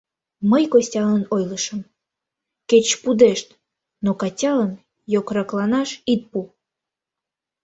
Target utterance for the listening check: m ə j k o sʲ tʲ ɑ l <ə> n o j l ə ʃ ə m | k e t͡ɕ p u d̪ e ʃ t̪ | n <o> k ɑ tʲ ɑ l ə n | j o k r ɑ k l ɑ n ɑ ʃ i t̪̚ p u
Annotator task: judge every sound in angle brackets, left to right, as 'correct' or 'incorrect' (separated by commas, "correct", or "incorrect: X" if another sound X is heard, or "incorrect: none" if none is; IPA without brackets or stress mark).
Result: correct, correct